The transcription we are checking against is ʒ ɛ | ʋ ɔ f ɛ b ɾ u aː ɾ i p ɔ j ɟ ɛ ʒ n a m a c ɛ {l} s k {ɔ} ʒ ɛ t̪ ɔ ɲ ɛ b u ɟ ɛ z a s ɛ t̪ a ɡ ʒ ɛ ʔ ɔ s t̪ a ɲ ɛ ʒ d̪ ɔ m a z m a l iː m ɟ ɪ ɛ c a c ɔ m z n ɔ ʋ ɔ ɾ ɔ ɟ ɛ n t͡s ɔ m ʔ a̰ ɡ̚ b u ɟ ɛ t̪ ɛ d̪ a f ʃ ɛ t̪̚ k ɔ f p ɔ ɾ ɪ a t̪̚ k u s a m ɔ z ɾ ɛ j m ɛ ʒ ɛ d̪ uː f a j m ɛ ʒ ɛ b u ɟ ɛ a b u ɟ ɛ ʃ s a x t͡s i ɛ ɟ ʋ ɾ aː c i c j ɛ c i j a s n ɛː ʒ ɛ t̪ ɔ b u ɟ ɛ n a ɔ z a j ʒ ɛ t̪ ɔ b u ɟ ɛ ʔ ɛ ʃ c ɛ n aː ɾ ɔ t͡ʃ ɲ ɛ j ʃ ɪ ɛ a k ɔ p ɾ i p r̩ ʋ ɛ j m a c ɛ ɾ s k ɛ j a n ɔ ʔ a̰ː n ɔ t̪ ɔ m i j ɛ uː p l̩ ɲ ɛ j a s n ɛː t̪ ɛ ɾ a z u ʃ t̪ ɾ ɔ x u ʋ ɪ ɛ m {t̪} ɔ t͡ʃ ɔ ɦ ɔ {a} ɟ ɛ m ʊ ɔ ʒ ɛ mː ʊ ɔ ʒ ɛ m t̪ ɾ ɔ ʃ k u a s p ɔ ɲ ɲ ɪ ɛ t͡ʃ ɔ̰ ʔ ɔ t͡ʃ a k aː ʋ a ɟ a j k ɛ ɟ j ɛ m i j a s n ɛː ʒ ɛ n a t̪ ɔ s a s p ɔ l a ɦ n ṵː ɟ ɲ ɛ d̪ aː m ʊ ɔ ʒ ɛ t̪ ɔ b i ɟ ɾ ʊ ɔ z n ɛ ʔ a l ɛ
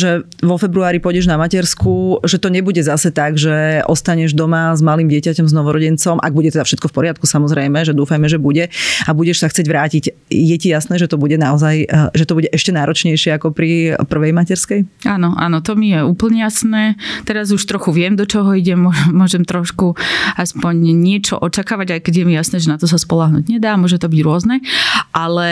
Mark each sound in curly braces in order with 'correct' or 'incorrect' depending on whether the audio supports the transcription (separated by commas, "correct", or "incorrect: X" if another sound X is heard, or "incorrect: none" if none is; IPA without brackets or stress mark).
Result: incorrect: ɾ, incorrect: u, incorrect: d̪, incorrect: i